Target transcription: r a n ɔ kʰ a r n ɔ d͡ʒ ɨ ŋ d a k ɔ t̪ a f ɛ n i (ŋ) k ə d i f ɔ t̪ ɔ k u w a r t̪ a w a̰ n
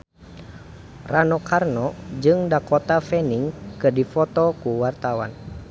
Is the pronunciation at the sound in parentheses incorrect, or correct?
correct